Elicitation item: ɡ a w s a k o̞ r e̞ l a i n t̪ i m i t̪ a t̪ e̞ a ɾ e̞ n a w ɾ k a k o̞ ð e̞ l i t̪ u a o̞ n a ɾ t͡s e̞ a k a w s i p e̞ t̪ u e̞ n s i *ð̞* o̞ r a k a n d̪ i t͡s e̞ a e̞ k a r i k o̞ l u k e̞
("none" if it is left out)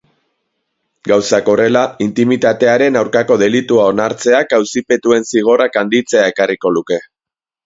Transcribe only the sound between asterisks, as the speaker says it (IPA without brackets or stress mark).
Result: ɣ̞